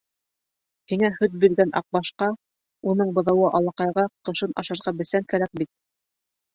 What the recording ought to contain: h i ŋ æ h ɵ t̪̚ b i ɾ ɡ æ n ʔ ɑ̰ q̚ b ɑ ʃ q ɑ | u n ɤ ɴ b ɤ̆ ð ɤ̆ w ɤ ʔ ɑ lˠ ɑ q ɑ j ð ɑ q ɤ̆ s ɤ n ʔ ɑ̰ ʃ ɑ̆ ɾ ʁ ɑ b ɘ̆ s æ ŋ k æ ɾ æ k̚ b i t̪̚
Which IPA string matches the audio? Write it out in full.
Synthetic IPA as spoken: h i ŋ æ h ɵ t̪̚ b i ɾ ɡ æ n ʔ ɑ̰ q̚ b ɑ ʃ q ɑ | u n ɤ ɴ b ɤ̆ ð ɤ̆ w ɤ ʔ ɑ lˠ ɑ q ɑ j ʁ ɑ q ɤ̆ ʃ ɤ n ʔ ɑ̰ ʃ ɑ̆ ɾ ʁ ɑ b ɘ̆ s æ ŋ k æ ɾ æ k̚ b i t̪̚